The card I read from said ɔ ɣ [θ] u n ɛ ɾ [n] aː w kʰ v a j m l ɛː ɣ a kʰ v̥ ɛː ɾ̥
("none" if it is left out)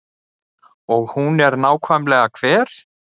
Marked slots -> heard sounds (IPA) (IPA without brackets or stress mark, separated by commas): h, n